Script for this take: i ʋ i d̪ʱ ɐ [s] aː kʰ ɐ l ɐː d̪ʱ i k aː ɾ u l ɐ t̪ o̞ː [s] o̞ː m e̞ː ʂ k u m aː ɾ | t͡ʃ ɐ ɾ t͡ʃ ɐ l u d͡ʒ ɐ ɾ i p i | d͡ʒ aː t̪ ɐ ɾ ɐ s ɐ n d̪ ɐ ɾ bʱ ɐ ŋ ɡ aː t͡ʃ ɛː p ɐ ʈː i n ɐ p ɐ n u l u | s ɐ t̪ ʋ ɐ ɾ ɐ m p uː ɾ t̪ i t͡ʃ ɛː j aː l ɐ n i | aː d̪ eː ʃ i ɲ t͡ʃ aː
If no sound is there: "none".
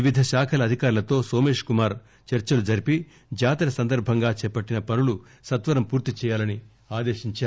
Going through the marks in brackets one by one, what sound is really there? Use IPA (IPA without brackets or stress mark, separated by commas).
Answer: ʃ, s